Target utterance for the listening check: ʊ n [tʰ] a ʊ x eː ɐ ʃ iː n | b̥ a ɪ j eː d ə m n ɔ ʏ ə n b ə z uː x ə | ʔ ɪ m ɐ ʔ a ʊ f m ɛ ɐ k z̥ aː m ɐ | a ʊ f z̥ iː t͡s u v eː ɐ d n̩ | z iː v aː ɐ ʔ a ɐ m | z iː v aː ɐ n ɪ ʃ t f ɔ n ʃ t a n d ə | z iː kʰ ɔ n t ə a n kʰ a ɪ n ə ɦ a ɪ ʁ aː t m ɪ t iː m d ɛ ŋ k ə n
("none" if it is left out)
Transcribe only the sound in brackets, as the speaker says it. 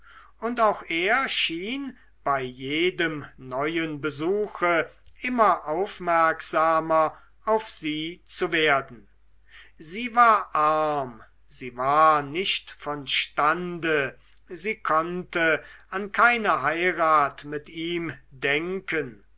t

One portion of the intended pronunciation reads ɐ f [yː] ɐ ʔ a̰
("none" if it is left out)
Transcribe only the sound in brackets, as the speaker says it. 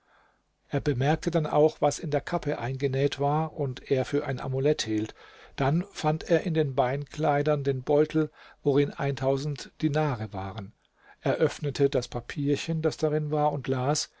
yː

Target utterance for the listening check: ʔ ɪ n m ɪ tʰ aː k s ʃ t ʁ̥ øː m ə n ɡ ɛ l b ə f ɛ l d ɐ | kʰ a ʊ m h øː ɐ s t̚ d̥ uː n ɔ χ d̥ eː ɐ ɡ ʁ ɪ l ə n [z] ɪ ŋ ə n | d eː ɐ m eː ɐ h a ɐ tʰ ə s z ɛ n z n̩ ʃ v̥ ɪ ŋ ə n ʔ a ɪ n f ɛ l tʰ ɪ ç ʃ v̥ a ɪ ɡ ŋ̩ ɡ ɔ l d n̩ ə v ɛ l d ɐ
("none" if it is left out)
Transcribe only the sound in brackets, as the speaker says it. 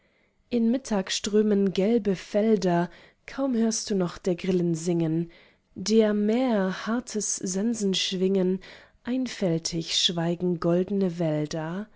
z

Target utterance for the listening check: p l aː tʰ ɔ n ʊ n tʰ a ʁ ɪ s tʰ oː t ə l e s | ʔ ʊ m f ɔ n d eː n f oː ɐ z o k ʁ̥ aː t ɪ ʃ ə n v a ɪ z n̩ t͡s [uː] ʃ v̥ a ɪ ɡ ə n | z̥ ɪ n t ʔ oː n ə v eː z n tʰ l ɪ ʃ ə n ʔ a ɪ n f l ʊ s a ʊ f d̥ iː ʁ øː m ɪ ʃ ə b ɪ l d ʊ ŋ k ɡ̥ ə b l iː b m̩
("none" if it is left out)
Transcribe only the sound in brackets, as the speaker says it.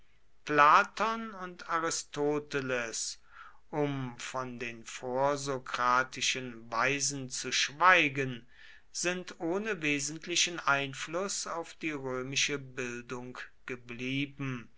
u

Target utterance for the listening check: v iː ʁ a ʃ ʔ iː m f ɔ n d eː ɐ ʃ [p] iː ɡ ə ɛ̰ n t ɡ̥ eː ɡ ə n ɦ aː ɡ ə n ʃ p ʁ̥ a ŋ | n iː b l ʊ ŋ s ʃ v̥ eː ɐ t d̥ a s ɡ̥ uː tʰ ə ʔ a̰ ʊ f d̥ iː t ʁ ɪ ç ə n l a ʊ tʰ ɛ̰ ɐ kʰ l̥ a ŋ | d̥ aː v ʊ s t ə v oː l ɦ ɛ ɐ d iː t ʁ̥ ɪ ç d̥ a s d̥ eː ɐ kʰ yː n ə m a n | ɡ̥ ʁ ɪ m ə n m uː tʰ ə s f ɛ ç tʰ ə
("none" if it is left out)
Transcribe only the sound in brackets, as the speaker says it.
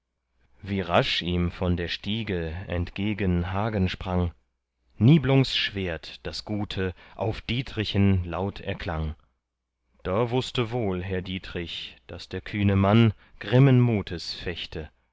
t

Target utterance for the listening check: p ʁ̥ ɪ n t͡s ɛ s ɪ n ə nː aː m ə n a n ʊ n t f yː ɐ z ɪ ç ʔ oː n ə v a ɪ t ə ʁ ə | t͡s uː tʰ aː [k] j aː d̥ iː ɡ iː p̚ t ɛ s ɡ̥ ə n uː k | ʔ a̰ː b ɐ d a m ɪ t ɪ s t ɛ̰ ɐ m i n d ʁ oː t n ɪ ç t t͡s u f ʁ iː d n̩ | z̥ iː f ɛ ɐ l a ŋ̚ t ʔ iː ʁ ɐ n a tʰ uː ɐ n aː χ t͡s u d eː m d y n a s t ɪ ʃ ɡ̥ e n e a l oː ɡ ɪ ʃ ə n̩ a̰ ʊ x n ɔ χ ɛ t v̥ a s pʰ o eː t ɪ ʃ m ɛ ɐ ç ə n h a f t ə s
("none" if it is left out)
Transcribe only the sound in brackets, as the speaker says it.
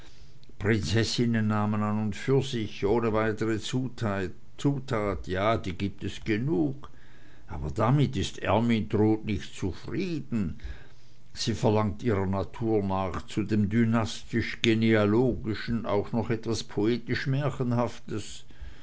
t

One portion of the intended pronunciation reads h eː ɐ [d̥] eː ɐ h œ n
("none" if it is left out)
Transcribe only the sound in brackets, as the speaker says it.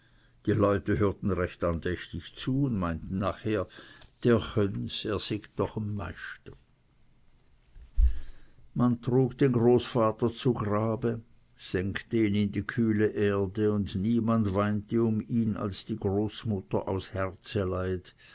d̥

